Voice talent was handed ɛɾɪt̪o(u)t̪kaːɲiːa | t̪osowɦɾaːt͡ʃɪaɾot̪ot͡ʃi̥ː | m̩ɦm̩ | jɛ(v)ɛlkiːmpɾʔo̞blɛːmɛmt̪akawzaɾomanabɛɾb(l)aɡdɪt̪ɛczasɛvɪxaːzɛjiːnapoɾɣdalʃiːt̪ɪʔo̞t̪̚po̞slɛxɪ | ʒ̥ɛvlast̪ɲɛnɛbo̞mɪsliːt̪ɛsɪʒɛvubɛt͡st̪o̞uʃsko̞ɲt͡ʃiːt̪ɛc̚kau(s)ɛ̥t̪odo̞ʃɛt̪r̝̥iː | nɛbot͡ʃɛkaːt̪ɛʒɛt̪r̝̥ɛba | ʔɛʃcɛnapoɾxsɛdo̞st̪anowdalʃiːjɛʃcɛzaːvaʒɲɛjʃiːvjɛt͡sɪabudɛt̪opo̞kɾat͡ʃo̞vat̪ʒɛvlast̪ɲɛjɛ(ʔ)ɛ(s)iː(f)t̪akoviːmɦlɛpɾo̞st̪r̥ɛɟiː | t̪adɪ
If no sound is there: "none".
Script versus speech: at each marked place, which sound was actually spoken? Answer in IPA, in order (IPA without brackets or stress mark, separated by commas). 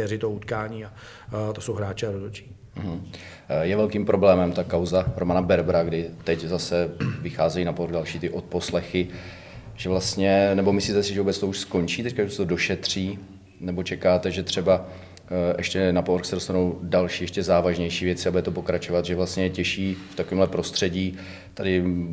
u, v, ɾ, s, c, ʃ, f